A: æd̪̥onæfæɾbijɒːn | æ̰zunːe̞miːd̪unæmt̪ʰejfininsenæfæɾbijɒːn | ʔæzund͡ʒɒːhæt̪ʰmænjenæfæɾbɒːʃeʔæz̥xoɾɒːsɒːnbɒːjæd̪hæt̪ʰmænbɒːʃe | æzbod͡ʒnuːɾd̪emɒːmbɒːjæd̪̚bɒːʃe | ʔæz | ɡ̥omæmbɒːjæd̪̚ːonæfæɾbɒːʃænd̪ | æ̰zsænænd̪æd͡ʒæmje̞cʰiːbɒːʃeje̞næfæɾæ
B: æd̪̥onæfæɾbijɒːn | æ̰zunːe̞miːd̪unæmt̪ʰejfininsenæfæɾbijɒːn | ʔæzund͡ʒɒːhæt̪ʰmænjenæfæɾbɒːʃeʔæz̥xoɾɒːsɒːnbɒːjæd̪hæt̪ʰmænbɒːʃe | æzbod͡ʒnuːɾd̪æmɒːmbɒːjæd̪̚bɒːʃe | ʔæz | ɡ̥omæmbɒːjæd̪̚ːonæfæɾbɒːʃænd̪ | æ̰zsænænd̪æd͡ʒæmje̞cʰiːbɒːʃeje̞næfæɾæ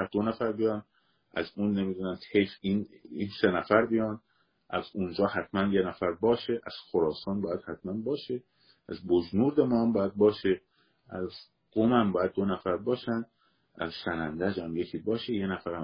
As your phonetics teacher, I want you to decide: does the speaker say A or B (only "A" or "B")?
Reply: A